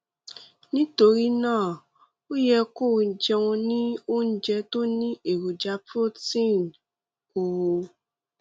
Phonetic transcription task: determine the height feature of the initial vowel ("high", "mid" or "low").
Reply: high